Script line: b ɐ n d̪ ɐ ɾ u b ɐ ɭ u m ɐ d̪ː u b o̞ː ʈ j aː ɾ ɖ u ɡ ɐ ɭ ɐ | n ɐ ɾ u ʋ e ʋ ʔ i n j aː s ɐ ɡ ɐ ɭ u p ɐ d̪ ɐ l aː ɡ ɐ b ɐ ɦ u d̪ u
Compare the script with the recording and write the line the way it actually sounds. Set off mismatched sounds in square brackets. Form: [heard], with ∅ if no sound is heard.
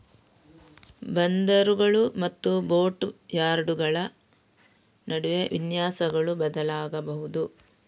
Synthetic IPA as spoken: b ɐ n d̪ ɐ ɾ u [ɡ] ɐ ɭ u m ɐ [t̪ː] u b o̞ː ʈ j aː ɾ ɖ u ɡ ɐ ɭ ɐ | n ɐ [ɽ] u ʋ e ʋ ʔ i n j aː s ɐ ɡ ɐ ɭ u [b] ɐ d̪ ɐ l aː ɡ ɐ b ɐ ɦ u d̪ u